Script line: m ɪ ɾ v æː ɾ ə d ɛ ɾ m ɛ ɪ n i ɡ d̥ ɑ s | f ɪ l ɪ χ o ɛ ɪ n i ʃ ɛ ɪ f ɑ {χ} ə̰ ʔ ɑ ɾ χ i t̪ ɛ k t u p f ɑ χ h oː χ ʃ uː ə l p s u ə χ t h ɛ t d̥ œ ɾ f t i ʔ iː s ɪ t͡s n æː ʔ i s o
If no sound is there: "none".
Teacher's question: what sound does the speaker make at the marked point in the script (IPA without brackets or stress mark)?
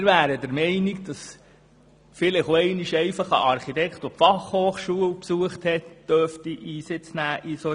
χ